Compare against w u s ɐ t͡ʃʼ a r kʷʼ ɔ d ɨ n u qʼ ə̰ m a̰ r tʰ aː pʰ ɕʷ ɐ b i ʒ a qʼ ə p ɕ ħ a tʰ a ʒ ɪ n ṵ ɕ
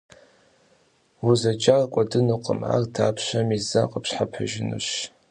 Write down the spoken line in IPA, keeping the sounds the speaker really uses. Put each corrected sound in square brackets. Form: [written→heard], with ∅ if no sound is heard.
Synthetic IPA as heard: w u [s→z] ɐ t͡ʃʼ a r kʷʼ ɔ d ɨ n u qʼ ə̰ m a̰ r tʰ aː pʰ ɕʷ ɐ [b→m] i [ʒ→z] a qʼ ə p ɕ ħ a [tʰ→pʰ] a ʒ ɪ n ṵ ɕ